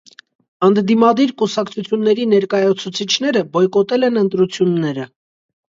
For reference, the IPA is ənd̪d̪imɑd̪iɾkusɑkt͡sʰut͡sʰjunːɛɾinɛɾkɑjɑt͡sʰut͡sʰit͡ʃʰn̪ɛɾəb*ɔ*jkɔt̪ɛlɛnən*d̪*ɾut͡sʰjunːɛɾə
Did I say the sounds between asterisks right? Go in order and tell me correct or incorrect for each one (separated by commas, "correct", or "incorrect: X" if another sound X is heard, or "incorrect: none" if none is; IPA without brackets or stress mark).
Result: correct, incorrect: t̪